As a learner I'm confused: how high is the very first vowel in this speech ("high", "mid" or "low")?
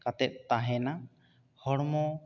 low